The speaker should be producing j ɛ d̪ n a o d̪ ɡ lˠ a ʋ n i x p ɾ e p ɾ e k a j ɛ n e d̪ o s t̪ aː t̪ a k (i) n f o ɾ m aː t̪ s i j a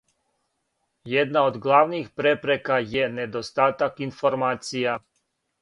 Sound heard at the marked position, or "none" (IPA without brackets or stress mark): i